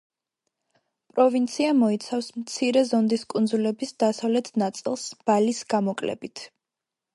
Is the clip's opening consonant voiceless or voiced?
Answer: voiceless